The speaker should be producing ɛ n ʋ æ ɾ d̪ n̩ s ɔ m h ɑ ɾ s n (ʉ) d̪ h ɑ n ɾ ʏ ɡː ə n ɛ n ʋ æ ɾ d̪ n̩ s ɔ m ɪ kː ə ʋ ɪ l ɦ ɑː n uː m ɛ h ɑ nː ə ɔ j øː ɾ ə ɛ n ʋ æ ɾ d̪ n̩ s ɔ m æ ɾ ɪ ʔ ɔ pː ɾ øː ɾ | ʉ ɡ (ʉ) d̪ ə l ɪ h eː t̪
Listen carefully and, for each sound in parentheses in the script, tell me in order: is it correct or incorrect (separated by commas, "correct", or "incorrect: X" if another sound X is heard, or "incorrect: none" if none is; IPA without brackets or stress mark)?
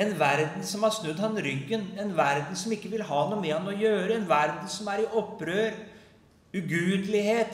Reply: correct, incorrect: ʉː